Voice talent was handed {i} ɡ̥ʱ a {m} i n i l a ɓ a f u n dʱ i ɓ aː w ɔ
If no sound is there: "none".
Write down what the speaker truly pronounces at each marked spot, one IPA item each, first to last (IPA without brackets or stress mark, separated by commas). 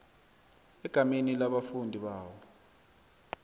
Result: ɛ, m